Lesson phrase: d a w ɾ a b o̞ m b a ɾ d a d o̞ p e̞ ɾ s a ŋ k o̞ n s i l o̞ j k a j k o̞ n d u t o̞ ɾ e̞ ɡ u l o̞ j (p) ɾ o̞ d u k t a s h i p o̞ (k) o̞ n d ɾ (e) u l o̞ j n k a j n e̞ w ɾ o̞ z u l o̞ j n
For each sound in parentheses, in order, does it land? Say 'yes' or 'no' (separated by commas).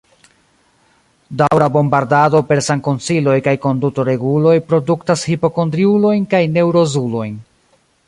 yes, yes, no